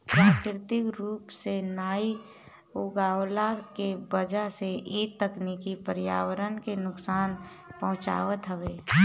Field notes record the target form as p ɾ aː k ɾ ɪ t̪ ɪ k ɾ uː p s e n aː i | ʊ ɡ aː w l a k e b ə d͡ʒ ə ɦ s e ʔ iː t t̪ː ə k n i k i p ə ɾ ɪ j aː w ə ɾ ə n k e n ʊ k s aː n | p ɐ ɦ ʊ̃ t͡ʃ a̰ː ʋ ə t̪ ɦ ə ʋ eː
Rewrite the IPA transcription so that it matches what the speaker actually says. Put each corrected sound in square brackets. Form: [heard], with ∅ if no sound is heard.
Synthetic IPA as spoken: p ɾ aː k ɾ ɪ t̪ ɪ k ɾ uː p s e n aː i | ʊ ɡ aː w l a k e b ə d͡ʒ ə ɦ s e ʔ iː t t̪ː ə k n i k i p ə ɾ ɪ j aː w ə ɾ ə n k e n ʊ k s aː n | p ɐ ɦ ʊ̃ t͡ʃ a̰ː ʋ ə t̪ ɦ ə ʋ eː